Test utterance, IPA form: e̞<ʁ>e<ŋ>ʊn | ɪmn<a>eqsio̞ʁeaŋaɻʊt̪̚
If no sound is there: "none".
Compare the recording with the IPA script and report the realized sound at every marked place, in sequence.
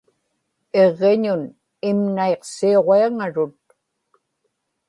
ʁː, ɲ, a

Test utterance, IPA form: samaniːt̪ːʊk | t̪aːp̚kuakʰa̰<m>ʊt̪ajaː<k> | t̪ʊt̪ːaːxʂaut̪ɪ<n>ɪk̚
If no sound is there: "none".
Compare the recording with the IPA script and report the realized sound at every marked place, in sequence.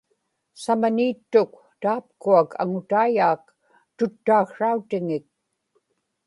ŋ, k, ŋ

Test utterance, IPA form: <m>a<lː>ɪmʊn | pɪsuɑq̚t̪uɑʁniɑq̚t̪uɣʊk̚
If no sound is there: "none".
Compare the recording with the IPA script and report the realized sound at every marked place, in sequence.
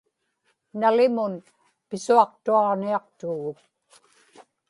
n, l

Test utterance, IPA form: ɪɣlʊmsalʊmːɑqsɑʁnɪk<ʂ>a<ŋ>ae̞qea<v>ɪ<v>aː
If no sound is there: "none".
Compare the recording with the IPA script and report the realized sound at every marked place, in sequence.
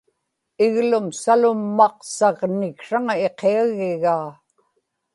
ʂ, ŋ, ɣ, ɣ

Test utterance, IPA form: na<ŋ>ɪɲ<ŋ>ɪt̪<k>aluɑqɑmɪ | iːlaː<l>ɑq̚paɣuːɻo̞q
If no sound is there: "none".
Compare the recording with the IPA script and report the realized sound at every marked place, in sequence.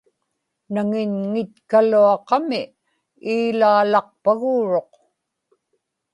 ŋ, ŋ, k, l

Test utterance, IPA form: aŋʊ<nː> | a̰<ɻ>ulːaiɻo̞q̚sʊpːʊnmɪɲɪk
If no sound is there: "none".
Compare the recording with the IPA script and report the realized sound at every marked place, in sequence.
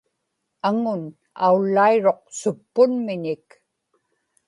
n, none

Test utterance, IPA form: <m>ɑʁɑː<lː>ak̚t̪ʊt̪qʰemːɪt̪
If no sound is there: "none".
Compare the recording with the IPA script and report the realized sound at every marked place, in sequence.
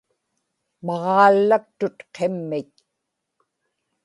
m, lː

